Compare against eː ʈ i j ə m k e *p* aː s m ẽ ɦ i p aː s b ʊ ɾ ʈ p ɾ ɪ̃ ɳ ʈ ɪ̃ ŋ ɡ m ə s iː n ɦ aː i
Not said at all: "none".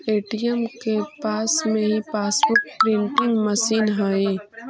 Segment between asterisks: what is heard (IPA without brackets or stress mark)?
p